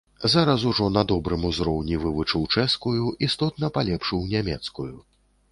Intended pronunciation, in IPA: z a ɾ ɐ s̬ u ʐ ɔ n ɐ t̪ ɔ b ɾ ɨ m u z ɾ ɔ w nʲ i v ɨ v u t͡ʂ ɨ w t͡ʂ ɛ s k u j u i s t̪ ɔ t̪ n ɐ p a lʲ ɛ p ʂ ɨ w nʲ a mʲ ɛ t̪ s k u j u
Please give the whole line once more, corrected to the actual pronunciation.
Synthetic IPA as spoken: z a ɾ ɐ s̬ u ʐ ɔ n ɐ d̪ ɔ b ɾ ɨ m u z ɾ ɔ w nʲ i v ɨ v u t͡ʂ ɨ w t͡ʂ ɛ s k u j u i s t̪ ɔ t̪ n ɐ p a lʲ ɛ p ʂ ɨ w nʲ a mʲ ɛ t̪ s k u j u